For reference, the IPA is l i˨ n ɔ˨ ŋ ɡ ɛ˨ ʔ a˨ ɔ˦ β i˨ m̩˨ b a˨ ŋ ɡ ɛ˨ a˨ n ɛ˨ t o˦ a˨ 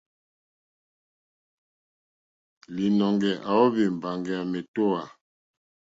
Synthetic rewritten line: l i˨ n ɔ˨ ŋ ɡ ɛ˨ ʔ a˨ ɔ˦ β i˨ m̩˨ b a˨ ŋ ɡ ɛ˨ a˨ m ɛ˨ t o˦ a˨